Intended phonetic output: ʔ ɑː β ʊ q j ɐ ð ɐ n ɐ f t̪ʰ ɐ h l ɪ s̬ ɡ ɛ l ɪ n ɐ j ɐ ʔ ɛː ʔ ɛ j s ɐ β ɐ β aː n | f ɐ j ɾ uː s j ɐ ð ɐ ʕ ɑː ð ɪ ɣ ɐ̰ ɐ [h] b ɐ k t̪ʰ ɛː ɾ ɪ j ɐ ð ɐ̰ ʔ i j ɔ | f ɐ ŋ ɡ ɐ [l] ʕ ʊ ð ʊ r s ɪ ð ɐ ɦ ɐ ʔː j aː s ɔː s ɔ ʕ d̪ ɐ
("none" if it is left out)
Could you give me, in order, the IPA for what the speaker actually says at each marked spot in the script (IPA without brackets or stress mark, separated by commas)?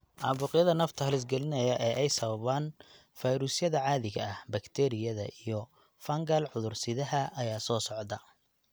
h, l